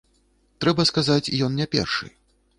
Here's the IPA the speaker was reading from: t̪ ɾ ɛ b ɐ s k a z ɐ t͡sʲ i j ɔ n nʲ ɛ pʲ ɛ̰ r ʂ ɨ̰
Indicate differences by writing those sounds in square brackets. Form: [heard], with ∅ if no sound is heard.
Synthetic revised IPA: t̪ ɾ ɛ b ɐ s k a z [a] t͡sʲ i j ɔ n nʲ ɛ pʲ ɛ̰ r ʂ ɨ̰